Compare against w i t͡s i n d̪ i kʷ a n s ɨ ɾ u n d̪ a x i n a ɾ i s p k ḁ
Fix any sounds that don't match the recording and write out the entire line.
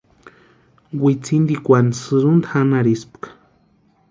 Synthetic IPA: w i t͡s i n d̪ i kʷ a n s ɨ ɾ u n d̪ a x a n a ɾ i s p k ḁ